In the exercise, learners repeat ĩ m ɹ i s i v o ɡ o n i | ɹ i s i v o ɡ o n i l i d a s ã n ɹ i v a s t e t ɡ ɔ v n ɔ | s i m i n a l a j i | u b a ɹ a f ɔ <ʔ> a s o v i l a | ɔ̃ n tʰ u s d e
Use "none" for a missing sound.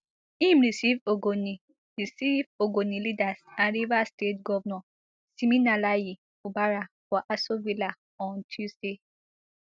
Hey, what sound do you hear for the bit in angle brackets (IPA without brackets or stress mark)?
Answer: ʔ